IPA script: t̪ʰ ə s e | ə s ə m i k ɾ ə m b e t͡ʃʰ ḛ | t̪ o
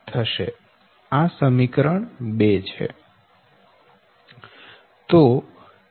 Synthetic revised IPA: t̪ʰ ə ʃ e | a s ə m i k ɾ ə ɳ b e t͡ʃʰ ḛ | t̪ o